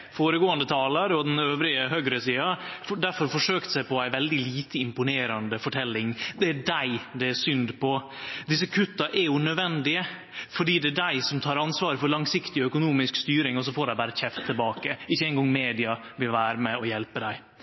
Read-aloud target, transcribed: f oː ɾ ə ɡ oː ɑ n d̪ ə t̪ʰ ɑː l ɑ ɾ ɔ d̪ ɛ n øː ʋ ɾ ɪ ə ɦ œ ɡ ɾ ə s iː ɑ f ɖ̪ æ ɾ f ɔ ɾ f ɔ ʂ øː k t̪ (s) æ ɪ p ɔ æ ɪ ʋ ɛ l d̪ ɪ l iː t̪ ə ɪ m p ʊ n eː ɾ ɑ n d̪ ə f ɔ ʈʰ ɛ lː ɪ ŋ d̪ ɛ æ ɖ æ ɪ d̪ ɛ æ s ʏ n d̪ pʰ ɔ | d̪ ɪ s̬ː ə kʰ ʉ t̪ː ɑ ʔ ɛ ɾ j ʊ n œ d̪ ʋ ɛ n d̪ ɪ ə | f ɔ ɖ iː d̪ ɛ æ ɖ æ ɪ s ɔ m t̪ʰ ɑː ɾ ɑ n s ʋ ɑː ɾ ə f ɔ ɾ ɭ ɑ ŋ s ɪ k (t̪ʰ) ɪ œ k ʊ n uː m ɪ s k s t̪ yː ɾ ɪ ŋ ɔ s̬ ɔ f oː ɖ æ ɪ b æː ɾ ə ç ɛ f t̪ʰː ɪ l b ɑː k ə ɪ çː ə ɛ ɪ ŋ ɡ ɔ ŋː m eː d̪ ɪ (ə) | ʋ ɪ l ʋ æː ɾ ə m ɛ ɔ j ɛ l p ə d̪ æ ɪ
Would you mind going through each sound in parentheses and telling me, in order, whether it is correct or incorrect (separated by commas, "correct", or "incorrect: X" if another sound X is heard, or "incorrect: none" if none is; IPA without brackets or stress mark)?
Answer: correct, incorrect: t̪, incorrect: ɑ